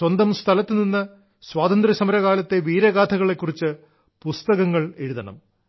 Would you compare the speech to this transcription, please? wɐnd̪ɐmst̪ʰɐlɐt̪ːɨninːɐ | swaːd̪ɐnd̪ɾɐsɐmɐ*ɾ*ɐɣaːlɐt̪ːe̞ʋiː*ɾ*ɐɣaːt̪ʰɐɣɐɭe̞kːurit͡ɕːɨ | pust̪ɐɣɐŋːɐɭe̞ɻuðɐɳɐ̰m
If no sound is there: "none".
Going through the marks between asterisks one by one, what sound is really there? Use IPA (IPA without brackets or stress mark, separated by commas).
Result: ɾ, ɾ